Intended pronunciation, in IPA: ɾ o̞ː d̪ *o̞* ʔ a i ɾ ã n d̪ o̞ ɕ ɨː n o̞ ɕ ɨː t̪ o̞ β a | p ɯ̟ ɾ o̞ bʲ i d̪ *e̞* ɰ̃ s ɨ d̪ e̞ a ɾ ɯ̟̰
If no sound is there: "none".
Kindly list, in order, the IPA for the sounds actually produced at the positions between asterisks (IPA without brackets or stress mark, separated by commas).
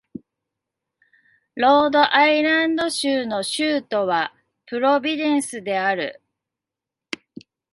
o̞, ẽ̞